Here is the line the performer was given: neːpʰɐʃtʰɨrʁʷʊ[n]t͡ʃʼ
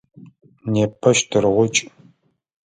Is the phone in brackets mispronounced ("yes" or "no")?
yes